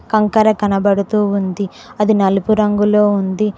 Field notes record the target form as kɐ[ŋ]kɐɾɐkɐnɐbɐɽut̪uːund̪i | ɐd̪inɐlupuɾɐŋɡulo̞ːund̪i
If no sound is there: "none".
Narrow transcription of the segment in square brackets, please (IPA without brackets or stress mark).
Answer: ŋ